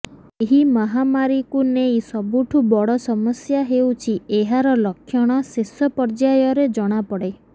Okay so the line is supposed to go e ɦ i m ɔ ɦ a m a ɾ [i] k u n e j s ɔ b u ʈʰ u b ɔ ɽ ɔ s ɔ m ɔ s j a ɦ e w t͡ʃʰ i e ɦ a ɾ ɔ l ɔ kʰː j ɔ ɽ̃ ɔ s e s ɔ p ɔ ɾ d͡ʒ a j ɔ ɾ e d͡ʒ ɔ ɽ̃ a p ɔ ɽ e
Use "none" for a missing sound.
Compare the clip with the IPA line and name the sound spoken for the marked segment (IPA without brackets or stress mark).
i